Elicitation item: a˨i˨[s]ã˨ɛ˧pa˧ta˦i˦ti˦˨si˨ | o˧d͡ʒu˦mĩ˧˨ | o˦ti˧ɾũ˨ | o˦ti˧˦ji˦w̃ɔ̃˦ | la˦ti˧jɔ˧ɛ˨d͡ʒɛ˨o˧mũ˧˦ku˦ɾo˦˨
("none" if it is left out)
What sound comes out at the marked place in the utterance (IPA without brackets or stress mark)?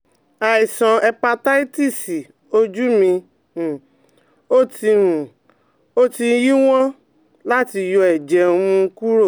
s